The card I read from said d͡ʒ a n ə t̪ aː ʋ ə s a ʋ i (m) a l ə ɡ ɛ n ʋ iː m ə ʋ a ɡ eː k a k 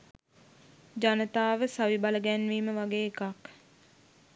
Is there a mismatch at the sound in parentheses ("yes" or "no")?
yes